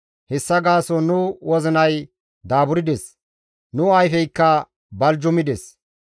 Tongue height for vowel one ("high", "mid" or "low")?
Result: mid